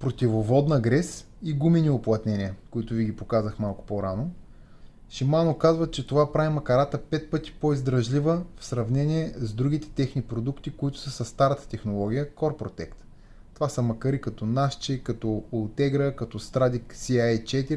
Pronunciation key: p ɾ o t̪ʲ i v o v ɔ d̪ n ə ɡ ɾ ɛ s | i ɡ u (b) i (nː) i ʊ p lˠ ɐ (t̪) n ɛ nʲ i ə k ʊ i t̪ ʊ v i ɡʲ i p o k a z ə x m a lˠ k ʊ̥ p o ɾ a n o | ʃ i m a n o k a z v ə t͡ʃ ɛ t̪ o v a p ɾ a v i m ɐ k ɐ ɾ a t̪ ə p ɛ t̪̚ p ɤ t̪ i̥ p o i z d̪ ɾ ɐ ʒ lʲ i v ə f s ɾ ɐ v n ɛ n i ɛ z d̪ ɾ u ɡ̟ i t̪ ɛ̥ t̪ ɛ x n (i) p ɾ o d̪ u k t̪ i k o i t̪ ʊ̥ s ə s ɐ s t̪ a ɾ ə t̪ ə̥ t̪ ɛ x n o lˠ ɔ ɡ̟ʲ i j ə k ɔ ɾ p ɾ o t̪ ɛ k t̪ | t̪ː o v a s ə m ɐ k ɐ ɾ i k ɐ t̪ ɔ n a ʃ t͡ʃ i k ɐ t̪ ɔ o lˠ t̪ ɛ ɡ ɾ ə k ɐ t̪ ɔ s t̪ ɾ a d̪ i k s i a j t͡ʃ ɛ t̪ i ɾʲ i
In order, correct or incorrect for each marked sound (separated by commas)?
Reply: incorrect, incorrect, correct, correct